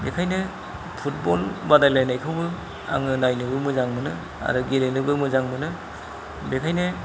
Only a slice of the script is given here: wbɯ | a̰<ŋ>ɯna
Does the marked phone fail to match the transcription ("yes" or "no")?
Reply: no